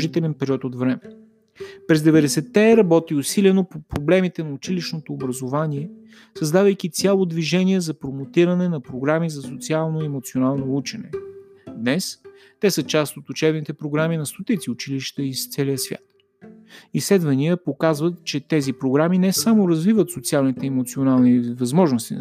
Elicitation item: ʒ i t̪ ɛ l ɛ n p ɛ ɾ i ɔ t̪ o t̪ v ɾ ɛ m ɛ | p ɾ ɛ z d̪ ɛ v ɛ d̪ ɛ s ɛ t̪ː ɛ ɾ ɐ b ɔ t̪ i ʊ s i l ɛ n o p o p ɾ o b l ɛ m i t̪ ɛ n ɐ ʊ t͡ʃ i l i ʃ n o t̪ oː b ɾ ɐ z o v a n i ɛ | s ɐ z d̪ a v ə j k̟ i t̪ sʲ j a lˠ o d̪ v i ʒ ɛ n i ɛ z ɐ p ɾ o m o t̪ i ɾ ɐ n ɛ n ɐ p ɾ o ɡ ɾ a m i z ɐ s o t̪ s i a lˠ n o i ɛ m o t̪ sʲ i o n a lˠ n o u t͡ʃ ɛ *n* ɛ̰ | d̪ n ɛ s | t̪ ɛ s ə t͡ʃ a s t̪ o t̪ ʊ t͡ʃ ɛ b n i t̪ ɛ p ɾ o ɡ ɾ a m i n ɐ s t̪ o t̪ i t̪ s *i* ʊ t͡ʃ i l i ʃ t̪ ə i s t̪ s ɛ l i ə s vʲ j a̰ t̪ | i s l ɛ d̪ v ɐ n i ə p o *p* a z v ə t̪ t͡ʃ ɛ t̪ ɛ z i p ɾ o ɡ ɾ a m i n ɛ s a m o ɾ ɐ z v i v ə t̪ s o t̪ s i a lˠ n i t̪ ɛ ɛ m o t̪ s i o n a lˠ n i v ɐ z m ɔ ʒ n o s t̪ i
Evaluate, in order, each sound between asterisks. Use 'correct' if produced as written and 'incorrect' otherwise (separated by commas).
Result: correct, correct, incorrect